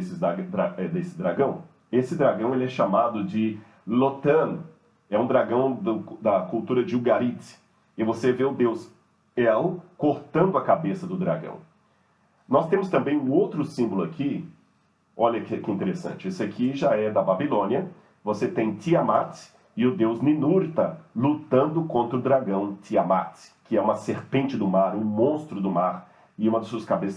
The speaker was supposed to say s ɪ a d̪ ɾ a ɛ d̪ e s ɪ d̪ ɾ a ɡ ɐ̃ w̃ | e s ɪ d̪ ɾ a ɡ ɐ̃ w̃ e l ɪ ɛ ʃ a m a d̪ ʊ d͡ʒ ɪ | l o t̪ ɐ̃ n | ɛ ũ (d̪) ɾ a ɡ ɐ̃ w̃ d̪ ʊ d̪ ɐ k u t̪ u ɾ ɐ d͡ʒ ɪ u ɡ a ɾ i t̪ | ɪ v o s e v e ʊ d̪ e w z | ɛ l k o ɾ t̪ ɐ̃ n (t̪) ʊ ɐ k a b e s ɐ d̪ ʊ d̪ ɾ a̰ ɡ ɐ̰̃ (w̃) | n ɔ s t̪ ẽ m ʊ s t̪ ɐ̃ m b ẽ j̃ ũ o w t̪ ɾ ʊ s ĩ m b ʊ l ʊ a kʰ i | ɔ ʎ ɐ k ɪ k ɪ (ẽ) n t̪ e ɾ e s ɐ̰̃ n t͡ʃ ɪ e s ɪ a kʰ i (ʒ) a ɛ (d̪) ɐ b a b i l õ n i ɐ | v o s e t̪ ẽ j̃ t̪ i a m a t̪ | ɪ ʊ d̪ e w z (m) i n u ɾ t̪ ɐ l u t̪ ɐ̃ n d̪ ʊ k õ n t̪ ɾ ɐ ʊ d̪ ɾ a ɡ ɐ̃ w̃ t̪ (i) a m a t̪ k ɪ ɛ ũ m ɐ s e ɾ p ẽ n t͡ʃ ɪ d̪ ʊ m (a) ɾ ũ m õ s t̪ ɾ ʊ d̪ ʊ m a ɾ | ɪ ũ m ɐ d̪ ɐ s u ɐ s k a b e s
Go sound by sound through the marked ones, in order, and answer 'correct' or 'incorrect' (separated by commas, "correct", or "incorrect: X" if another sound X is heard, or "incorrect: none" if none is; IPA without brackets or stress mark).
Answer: correct, incorrect: d̪, correct, incorrect: ĩ, correct, correct, incorrect: n, correct, correct